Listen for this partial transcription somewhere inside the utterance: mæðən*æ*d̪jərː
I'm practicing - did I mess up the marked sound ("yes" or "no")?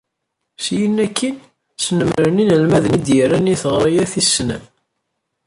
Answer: yes